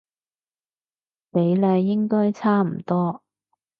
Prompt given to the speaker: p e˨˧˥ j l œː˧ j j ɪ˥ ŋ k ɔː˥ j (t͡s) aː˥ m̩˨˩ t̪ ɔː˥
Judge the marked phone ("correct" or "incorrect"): incorrect